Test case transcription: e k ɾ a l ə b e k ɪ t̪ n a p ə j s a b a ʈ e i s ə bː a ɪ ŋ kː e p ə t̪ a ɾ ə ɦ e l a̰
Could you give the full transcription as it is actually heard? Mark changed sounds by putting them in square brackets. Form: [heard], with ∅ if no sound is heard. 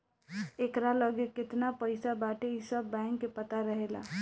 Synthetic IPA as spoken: e k ɾ a l ə [ɡ] e k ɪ t̪ n a p ə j s a b a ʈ e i s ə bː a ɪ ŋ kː e p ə t̪ a ɾ ə ɦ e l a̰